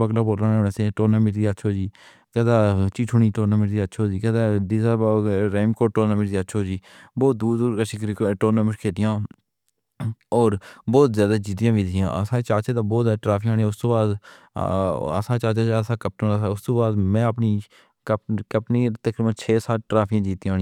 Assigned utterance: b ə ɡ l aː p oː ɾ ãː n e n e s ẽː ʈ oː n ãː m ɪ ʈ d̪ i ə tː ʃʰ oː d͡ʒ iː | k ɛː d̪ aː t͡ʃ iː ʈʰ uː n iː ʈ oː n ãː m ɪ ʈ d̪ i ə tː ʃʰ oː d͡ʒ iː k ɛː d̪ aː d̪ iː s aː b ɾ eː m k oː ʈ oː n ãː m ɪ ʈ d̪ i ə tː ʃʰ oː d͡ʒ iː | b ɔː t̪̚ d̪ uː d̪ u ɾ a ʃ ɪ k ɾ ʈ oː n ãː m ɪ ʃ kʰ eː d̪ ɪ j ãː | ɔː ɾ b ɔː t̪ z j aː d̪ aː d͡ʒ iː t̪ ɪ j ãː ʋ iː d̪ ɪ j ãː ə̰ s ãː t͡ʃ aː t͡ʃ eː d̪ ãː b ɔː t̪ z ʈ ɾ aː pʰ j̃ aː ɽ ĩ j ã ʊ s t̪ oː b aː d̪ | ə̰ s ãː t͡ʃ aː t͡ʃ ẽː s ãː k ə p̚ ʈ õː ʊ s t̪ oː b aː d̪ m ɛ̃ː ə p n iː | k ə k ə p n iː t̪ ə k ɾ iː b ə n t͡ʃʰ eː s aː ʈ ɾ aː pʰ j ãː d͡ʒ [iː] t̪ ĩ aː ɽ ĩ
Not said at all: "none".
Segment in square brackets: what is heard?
iː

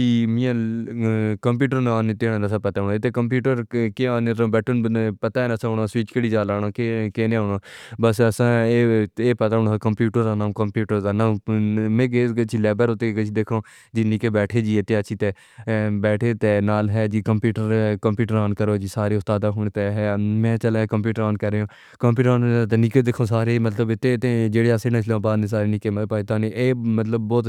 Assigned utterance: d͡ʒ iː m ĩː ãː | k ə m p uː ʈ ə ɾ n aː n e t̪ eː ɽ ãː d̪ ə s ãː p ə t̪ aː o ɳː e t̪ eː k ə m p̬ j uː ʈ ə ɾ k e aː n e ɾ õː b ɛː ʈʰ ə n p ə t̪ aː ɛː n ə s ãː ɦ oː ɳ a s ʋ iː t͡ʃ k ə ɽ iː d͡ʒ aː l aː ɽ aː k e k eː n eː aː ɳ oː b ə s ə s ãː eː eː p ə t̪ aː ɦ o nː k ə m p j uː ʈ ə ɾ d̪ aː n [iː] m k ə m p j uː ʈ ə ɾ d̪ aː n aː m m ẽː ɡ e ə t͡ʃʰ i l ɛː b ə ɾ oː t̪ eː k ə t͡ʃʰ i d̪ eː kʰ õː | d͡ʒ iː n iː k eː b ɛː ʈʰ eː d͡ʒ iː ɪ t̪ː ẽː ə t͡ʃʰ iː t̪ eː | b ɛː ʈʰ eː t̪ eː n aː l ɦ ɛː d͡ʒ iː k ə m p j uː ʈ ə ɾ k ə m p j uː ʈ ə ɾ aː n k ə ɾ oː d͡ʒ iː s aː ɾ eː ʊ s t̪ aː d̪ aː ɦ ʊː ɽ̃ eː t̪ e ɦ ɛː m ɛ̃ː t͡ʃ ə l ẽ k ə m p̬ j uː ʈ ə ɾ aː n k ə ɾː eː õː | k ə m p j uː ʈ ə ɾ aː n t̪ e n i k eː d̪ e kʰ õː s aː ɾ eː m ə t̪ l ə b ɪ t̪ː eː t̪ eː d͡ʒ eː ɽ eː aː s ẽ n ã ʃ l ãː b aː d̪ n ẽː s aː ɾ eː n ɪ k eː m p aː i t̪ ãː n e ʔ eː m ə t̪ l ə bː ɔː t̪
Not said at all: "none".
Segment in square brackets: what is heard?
aː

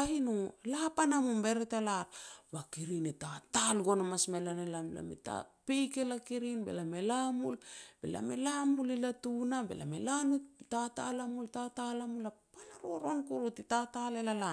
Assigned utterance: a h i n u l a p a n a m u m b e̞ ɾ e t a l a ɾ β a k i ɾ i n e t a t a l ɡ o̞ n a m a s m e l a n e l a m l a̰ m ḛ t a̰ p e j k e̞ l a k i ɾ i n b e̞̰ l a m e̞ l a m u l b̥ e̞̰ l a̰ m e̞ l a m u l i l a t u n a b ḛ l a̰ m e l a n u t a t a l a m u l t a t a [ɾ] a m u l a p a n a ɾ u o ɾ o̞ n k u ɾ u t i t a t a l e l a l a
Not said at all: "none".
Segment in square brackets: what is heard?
l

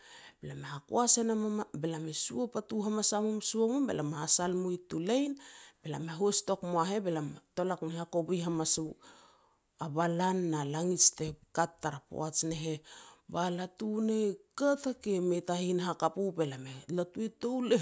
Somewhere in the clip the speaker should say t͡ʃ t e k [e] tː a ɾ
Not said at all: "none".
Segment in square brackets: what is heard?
a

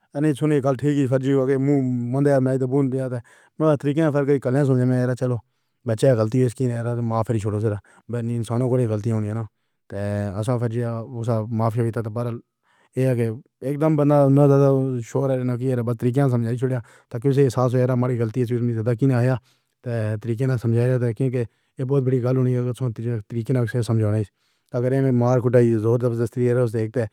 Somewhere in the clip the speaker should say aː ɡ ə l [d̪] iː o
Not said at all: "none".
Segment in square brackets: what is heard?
t̪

